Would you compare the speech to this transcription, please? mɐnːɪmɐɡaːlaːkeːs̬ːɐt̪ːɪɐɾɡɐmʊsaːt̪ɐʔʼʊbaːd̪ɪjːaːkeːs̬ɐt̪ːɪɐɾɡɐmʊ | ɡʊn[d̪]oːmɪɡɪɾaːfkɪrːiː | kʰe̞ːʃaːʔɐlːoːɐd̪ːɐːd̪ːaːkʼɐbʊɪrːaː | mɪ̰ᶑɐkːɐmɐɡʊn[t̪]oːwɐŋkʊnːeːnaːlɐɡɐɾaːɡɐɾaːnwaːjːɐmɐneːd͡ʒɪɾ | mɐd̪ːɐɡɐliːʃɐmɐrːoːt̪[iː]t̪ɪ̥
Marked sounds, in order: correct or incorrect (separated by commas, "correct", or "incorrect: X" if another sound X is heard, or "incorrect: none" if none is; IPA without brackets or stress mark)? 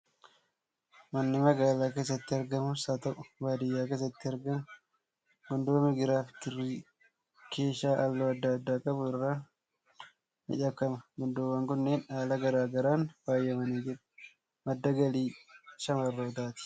correct, incorrect: d̪, incorrect: aː